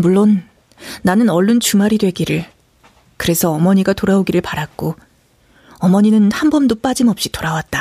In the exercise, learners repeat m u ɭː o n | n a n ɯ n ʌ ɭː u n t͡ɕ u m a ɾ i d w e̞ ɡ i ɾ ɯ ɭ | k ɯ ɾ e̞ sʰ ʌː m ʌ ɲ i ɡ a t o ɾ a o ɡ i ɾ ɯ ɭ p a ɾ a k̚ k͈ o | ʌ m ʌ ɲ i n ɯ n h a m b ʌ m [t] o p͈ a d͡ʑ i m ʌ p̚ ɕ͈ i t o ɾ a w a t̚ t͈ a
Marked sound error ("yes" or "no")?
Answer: yes